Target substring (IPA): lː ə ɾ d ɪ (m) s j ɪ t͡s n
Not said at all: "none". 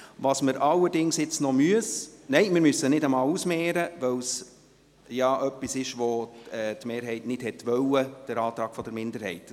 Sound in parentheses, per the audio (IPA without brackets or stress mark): ŋ